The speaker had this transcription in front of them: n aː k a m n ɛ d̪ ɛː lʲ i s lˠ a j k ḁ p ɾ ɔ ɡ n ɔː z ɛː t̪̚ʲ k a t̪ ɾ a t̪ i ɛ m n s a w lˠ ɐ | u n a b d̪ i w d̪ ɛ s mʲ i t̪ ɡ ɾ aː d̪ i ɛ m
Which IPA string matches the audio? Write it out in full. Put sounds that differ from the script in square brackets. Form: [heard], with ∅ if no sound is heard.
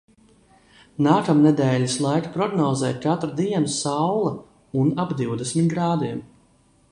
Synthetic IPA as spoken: n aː k a m n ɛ d̪ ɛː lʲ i s lˠ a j k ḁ p ɾ ɔ ɡ n ɔː z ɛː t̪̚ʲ k a t̪ ɾ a [d̪] i ɛ [∅] n s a w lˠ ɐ | u n a b d̪ i w d̪ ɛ s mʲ i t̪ ɡ ɾ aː d̪ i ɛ m

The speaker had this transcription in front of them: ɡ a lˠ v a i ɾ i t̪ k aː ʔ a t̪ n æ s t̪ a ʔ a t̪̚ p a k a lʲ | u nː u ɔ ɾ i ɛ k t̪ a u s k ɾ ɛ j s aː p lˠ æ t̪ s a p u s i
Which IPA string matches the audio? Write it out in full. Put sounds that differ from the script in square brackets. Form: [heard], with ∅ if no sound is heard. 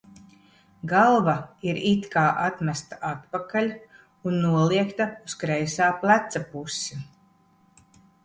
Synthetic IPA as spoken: ɡ a lˠ v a i ɾ i t̪ k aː ʔ a t̪ [m] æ s t̪ a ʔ a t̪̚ p a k a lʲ | u nː u ɔ [l] i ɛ k t̪ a u s k ɾ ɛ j s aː p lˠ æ t̪ s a p u s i

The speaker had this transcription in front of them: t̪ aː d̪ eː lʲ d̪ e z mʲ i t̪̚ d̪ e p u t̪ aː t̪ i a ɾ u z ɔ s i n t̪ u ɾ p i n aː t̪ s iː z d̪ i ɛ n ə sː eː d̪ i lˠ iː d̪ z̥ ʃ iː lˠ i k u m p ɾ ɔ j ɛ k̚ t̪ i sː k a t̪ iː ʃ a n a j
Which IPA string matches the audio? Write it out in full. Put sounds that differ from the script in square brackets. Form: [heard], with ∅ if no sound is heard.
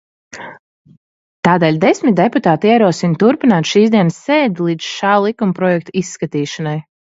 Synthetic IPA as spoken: t̪ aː d̪ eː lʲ d̪ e [s] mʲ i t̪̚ d̪ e p u t̪ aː t̪ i [ɛ] ɾ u [∅] ɔ s i n t̪ u ɾ p i n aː t̪ [ʃ] iː z d̪ i ɛ n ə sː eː d̪ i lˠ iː d̪ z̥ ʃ [aː] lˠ i k u m p ɾ ɔ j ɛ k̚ t̪ i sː k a t̪ iː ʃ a n a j

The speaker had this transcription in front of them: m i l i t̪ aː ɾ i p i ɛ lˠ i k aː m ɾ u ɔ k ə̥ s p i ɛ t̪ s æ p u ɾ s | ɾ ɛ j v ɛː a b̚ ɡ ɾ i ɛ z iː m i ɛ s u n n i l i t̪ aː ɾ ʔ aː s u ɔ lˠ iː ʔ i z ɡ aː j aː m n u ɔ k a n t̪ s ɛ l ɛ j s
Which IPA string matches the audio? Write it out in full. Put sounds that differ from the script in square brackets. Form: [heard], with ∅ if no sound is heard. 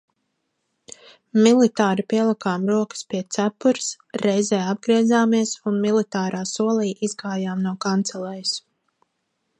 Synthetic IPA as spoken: m i l i t̪ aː ɾ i p i ɛ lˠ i k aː m ɾ u ɔ k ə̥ s p i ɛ t̪ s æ p u ɾ s | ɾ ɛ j [z] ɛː a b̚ ɡ ɾ i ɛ z [aː] m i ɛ s u n [m] i l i t̪ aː ɾ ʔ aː s u ɔ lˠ iː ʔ i z ɡ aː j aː m n u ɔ k a n t̪ s ɛ l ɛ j s

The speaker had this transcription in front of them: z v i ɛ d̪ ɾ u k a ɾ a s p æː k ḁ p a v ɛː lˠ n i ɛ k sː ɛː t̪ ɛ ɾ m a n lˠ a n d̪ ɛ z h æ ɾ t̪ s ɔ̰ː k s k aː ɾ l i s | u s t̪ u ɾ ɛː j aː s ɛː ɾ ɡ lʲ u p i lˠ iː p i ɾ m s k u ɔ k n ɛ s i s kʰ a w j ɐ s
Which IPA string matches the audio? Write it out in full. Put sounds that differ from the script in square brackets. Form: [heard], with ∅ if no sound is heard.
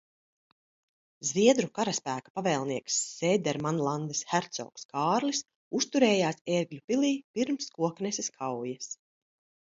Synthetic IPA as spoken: z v i ɛ d̪ ɾ u k a ɾ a s p æː k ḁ p a v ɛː lˠ n i ɛ k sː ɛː [d̪] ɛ ɾ m a n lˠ a n d̪ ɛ [s] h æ ɾ t̪ s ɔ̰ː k s k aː ɾ l i s | u s t̪ u ɾ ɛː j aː s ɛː ɾ ɡ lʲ u p i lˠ iː p i ɾ m s k u ɔ k n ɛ s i s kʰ a w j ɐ s

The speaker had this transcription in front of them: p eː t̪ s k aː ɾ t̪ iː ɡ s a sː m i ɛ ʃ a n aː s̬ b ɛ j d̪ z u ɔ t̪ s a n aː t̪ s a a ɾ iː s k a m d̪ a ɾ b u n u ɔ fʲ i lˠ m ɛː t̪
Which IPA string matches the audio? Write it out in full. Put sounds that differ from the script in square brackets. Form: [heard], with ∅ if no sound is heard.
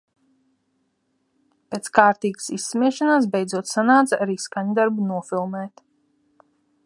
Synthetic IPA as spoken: p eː t̪ s k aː ɾ t̪ iː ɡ s [i] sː m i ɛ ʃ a n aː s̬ b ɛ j d̪ z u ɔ t̪ s a n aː t̪ s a a ɾ iː s k a [ɲ] d̪ a ɾ b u n u ɔ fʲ i lˠ m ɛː t̪

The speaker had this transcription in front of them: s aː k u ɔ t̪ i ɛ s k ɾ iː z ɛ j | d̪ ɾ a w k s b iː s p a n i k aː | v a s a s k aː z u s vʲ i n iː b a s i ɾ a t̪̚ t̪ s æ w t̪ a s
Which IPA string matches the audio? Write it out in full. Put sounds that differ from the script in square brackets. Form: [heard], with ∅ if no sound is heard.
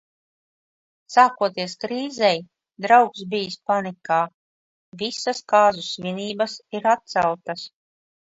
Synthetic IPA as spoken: s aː k u ɔ t̪ i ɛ s k ɾ iː z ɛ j | d̪ ɾ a w k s b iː s p a n i k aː | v [i] s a s k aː z u s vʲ i n iː b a s i ɾ a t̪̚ t̪ s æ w t̪ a s

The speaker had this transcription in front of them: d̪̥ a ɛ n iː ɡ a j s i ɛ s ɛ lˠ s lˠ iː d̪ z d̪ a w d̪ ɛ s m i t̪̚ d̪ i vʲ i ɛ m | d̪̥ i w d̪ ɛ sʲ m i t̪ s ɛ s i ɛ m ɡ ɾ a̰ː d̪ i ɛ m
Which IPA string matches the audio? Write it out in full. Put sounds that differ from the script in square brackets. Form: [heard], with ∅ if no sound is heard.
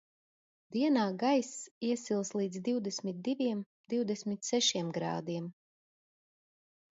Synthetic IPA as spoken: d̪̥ [i] ɛ n [aː] ɡ a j s i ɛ s [i] lˠ s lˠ iː d̪ z d̪ [i] w d̪ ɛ s m i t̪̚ d̪ i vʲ i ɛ m | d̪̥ i w d̪ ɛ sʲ m i t̪ s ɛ [ʃ] i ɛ m ɡ ɾ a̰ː d̪ i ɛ m

